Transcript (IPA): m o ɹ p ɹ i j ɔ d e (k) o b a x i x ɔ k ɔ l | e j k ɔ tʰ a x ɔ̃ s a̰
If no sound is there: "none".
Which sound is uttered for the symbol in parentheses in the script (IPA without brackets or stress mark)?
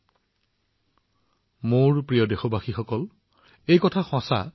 x